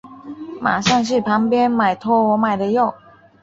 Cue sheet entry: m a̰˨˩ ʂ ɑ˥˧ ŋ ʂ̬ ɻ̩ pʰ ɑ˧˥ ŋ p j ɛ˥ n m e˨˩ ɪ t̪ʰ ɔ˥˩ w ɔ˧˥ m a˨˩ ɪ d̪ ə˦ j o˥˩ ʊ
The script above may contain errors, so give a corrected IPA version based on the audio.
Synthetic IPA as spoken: m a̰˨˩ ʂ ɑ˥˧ ŋ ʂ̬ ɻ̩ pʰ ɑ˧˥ ŋ p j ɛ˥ n m a˨˩ ɪ t̪ʰ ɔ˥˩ w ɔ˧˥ m a˨˩ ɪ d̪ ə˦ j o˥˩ ʊ